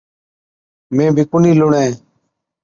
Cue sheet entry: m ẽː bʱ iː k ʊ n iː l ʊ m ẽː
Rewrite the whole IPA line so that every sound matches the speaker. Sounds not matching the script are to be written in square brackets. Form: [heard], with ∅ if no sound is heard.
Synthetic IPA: m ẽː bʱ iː k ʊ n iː l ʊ [ɳ] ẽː